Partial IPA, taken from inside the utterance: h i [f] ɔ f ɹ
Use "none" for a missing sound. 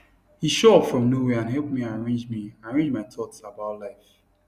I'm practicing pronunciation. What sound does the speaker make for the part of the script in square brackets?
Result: ʃ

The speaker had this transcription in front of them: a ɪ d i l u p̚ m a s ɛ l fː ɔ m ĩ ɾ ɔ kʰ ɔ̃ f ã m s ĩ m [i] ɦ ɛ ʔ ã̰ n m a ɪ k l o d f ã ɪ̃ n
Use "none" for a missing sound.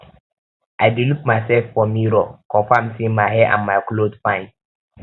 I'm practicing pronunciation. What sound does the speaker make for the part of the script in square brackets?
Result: a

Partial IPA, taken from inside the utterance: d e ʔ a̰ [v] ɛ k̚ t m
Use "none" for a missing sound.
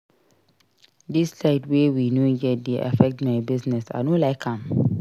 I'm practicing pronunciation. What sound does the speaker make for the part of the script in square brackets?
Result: f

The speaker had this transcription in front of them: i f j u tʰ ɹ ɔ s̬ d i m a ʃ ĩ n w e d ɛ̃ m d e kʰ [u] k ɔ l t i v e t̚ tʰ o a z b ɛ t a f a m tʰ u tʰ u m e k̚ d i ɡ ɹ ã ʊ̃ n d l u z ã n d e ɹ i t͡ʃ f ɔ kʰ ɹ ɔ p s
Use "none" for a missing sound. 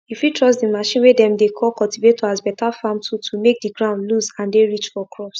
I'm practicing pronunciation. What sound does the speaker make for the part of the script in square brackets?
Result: ɔ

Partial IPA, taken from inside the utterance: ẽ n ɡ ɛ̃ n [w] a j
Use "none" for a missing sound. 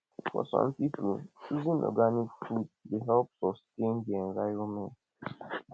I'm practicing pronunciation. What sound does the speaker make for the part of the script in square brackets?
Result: v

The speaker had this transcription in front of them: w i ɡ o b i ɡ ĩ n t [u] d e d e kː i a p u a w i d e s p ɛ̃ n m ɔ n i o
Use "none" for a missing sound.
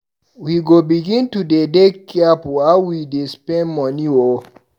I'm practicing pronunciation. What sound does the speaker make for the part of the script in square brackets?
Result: u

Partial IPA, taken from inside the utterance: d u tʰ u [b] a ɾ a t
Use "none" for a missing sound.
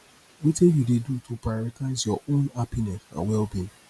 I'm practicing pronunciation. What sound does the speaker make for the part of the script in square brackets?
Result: p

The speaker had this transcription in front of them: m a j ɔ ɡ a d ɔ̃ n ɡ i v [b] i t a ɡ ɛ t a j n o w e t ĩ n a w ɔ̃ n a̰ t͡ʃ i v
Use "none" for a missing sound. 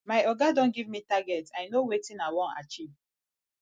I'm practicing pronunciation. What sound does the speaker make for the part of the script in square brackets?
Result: m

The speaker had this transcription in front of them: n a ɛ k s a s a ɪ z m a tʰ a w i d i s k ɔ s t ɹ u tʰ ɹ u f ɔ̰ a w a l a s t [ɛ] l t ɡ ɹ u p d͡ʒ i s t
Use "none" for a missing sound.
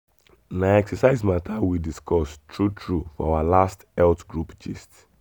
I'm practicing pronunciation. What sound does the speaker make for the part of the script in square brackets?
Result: ɛ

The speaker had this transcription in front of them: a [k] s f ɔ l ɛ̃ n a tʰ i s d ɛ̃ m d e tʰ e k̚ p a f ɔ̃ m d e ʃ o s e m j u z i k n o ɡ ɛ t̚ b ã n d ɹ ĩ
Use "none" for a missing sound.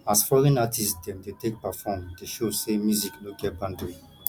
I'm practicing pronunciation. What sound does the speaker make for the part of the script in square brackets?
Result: none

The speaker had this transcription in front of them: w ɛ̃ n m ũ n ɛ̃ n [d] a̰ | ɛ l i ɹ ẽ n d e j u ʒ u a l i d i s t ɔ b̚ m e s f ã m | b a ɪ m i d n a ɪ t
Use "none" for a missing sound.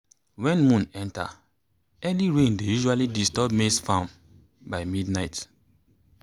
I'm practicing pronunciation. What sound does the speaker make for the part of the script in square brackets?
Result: t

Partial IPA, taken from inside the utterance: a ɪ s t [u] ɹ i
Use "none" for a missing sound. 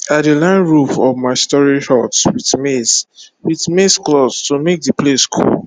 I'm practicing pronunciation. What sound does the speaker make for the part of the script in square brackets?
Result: ɔ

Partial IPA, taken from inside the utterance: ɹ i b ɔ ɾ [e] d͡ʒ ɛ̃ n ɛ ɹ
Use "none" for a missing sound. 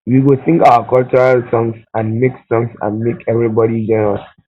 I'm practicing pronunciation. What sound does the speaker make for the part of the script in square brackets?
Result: i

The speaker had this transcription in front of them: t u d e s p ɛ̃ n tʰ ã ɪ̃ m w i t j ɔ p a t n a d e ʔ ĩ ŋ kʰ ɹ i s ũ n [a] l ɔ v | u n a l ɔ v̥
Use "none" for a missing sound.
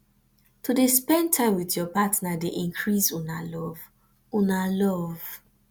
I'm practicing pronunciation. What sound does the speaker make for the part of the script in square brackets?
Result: a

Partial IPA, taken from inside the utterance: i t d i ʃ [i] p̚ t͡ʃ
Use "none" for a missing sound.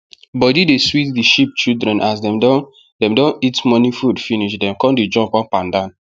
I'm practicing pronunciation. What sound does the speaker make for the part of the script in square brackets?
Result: i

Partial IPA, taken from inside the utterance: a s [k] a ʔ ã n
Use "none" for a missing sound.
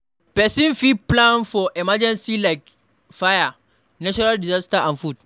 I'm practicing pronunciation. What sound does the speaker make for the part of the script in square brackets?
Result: t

